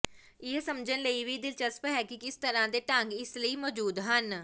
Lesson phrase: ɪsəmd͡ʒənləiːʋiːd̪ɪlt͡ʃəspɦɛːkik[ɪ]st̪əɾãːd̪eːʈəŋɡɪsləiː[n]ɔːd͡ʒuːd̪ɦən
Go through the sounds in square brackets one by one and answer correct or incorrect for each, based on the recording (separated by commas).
correct, incorrect